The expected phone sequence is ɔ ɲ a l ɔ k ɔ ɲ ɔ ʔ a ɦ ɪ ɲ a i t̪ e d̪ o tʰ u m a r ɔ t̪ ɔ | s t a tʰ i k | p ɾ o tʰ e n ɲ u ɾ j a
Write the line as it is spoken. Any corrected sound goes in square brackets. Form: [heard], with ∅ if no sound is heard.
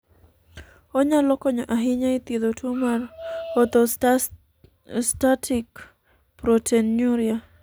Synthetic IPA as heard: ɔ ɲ a l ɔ k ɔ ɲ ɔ ʔ a ɦ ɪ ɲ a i t̪ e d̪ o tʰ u m a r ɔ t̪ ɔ | s t a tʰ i k | p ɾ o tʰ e n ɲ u ɾ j a